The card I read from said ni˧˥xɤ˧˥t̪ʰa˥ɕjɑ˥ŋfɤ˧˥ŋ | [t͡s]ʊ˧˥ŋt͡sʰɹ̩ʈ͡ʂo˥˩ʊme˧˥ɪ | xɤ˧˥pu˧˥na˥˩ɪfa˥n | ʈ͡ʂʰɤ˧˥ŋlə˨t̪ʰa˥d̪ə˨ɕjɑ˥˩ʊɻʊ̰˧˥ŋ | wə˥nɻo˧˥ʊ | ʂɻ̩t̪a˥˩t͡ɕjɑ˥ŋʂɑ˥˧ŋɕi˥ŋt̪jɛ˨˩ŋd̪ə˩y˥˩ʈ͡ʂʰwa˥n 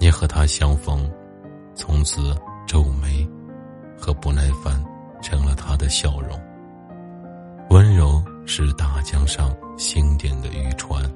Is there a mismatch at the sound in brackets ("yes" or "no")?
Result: yes